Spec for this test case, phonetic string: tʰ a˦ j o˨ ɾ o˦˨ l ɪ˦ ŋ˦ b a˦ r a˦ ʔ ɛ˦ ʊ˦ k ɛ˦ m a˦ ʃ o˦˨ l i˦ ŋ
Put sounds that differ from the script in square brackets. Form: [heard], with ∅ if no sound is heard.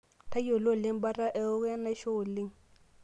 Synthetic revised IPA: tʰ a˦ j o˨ [l] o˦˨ l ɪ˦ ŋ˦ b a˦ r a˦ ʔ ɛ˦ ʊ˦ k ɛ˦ [n] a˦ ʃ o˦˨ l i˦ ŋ